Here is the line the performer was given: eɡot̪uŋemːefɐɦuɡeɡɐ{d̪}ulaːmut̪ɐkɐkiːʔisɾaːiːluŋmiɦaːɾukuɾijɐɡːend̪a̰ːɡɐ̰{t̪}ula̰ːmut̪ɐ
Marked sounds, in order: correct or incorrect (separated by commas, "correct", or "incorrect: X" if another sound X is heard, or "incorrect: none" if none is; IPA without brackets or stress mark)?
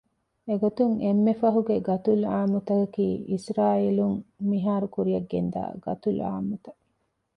incorrect: t̪, correct